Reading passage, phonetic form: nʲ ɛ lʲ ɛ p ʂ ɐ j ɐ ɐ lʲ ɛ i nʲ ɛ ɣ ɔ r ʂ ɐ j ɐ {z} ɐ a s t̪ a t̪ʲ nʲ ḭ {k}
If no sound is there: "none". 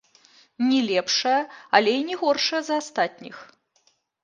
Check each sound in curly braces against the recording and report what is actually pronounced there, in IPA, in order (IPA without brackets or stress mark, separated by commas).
z, x